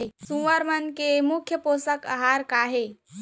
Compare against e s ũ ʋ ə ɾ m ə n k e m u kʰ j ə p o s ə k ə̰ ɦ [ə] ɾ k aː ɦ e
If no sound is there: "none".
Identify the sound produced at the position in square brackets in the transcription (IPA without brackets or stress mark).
a